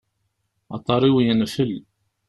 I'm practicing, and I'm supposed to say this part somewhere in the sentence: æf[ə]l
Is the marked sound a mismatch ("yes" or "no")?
no